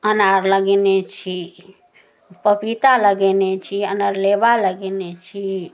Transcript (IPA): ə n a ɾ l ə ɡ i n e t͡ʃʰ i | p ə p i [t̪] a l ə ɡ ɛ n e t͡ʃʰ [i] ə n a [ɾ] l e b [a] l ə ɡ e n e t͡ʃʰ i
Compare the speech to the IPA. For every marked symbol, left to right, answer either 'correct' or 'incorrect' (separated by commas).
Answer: correct, correct, correct, correct